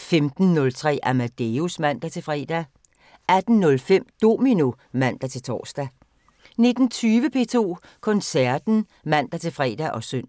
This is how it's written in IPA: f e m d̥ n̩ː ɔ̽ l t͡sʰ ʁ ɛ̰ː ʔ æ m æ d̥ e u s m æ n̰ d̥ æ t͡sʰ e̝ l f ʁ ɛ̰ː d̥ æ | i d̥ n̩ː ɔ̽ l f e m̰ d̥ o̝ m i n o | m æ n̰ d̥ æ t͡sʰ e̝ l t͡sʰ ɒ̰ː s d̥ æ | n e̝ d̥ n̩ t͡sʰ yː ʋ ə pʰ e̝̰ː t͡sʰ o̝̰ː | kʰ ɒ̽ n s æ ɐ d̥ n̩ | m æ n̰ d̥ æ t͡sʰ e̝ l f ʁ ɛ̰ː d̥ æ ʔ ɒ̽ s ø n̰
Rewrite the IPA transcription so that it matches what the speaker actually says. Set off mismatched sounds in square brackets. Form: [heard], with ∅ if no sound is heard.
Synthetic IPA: f e m d̥ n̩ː ɔ̽ l t͡sʰ ʁ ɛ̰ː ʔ æ m æ d̥ e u s m æ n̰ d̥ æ t͡sʰ e̝ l f ʁ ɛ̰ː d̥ æ | [æ] d̥ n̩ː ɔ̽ l f e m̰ d̥ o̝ m i n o | m æ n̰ d̥ æ t͡sʰ e̝ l t͡sʰ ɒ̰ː s d̥ æ | n e̝ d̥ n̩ t͡sʰ yː ʋ ə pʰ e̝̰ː t͡sʰ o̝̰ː | kʰ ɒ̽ n s æ ɐ d̥ n̩ | m æ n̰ d̥ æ t͡sʰ e̝ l f ʁ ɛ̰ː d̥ æ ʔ ɒ̽ s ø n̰